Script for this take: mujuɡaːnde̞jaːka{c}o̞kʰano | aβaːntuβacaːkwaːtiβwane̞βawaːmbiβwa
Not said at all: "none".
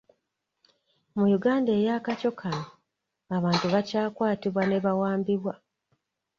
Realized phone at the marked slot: c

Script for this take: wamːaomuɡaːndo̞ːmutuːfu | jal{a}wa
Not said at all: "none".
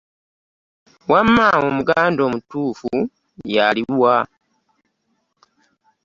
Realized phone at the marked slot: i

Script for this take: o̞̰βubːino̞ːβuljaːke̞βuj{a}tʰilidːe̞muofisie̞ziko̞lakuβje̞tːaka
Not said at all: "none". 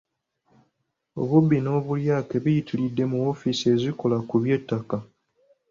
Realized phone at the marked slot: i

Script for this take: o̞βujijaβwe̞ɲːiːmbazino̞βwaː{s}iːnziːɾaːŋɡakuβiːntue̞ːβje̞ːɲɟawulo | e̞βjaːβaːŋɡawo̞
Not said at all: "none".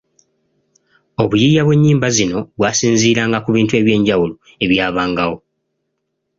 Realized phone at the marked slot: s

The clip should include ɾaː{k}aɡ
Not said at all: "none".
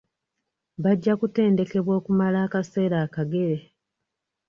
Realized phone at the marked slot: k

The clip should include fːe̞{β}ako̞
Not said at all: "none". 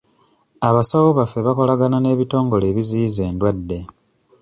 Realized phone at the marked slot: β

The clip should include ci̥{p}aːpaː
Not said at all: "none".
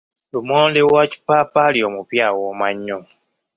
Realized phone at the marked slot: p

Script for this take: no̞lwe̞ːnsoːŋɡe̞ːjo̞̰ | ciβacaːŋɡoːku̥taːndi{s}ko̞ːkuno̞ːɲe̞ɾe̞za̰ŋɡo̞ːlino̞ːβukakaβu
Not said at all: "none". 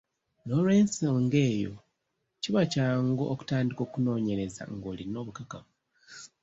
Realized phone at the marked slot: none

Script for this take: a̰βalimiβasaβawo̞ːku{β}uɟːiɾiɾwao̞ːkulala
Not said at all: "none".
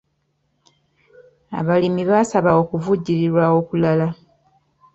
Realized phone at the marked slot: v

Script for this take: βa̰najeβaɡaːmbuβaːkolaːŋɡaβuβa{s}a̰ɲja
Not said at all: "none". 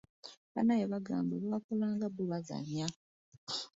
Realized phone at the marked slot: z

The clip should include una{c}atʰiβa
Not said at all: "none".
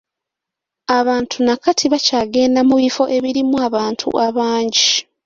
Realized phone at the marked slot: k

